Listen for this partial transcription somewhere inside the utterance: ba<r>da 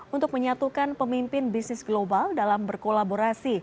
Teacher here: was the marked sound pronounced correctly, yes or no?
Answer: no